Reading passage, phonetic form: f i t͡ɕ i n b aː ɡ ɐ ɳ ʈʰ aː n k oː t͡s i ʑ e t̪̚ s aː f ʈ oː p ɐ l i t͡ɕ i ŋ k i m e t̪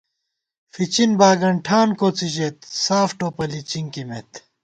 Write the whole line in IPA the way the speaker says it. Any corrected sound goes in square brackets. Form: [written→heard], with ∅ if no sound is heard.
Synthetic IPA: f i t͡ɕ i n b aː ɡ ɐ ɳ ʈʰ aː n k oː t͡s i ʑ e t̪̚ s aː f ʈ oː p ɐ l i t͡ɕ i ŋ k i m e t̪